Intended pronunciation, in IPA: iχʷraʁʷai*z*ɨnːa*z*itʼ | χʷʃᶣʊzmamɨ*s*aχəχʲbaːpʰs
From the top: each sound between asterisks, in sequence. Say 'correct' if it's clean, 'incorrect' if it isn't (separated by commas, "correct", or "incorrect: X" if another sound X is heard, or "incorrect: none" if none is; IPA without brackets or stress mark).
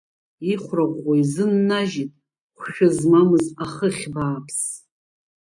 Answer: correct, incorrect: ʒ, incorrect: z